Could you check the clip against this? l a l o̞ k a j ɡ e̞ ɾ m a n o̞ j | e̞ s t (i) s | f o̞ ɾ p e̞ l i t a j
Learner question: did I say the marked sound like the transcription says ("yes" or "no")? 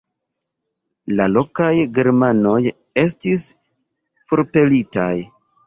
yes